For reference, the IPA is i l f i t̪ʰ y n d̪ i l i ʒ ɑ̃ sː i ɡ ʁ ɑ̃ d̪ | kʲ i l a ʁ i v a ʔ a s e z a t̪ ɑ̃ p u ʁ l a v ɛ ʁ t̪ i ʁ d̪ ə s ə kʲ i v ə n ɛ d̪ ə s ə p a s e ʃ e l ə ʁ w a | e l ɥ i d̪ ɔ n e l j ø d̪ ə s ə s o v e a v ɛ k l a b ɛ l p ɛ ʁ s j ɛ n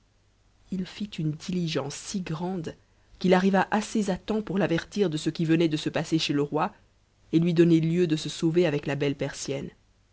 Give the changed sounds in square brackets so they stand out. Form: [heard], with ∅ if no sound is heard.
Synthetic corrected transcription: i l f i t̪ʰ y n d̪ i l i ʒ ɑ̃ sː i ɡ ʁ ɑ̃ d̪ | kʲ i l a ʁ i v a ʔ a s e z a t̪ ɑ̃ p u ʁ l a v ɛ ʁ t̪ i ʁ d̪ ə s ə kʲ i v ə n ɛ d̪ ə s ə p a s e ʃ e l ə ʁ w a | e l ɥ i d̪ ɔ n e l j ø d̪ ə s ə s o v e a v ɛ k l a b ɛ l p ɛ ʁ s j ɛ n